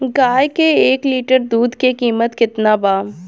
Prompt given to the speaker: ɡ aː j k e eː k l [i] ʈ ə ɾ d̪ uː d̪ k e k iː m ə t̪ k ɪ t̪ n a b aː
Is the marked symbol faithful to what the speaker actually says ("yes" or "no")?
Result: no